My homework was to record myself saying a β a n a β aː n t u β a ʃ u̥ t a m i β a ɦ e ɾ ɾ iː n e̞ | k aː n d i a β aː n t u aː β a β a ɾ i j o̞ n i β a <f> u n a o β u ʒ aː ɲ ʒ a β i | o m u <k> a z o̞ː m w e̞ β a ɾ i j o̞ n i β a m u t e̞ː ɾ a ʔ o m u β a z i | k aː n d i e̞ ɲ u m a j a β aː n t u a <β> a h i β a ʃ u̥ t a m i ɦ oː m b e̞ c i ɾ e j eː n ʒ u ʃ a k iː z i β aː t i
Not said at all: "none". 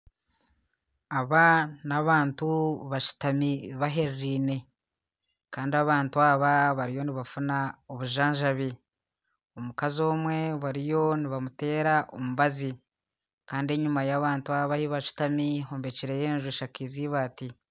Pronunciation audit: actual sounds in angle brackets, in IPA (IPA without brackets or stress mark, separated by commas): f, k, β